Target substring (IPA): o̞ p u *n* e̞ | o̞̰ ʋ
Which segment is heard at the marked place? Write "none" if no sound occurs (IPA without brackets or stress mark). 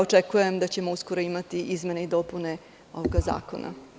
n